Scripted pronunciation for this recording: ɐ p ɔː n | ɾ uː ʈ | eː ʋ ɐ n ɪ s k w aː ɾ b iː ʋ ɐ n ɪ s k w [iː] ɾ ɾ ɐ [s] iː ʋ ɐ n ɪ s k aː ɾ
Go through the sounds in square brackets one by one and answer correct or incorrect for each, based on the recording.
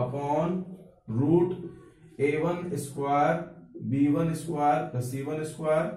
incorrect: aː, correct

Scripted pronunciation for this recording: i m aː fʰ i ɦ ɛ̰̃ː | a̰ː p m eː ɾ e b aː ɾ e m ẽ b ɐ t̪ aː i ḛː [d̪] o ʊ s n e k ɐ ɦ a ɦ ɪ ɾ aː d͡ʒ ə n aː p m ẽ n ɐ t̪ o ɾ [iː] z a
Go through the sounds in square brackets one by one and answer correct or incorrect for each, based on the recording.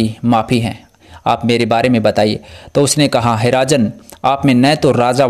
incorrect: t̪, incorrect: aː

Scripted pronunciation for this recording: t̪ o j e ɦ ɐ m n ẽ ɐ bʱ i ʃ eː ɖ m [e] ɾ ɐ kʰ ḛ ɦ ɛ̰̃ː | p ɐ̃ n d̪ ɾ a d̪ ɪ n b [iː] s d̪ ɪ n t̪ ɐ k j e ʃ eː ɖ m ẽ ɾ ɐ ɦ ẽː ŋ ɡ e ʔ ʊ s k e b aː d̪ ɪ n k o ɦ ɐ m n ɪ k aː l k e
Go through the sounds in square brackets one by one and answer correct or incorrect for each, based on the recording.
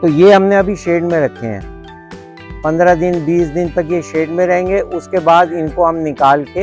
incorrect: ẽ, correct

